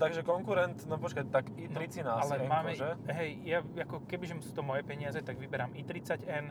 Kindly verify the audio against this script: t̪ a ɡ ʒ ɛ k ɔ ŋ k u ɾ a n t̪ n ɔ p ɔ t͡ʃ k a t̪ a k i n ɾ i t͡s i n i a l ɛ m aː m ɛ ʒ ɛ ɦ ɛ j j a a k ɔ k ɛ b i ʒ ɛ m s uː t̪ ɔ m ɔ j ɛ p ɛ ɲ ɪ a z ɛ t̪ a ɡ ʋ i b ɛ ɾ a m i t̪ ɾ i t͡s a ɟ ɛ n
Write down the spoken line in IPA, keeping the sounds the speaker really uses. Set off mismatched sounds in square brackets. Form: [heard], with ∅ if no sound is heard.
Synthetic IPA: t̪ a ɡ ʒ ɛ k ɔ ŋ k u ɾ [ɛ] n t̪ n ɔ p ɔ t͡ʃ k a t̪ a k i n ɾ i t͡s i n [a] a l ɛ m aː m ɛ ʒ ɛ ɦ ɛ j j a a k ɔ k ɛ b i ʒ ɛ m s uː t̪ ɔ m ɔ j ɛ p ɛ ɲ ɪ a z ɛ t̪ a ɡ ʋ i b ɛ ɾ a m i t̪ ɾ i t͡s a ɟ ɛ n